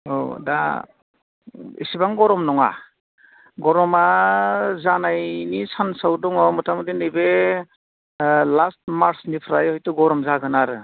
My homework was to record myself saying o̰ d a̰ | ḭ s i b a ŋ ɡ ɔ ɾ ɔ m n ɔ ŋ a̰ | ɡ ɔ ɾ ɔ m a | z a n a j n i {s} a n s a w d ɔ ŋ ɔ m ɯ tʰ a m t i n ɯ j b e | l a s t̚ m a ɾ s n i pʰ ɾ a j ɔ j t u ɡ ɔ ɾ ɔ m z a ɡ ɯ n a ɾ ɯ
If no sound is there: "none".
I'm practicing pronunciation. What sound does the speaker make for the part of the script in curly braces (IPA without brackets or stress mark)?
s